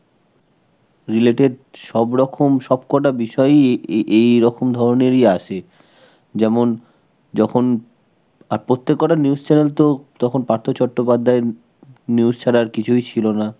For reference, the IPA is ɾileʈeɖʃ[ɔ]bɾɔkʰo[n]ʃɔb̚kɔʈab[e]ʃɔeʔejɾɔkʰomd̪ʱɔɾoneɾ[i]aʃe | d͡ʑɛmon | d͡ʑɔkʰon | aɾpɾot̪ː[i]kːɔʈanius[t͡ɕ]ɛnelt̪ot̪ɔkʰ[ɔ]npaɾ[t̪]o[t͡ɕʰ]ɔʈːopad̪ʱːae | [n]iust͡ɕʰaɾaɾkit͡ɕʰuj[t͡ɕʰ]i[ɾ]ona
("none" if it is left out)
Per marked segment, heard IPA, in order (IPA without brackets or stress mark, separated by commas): ɔ, m, i, i, e, t͡ɕ, o, t̪ʰ, t͡ɕ, n, t͡ɕʰ, l